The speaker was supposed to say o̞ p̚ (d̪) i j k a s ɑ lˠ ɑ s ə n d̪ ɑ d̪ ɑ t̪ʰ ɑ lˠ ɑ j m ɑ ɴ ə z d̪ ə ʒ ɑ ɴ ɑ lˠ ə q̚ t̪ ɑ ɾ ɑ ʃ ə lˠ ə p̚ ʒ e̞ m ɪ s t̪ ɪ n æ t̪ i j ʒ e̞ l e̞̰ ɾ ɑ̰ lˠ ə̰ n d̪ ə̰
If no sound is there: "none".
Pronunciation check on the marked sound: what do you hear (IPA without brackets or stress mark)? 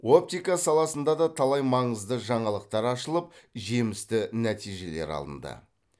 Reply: t̪